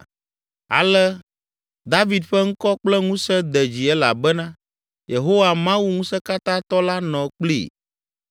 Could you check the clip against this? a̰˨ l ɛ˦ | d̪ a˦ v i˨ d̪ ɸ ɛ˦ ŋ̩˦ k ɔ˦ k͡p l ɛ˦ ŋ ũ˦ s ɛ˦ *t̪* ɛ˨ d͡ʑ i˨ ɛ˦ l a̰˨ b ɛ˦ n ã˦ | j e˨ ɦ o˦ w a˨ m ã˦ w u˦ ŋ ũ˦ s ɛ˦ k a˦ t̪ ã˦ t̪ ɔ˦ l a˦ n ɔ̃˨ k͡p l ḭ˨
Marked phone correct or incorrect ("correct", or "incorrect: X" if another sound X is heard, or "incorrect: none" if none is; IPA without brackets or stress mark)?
incorrect: d̪